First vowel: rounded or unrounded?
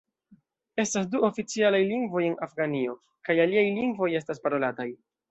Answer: unrounded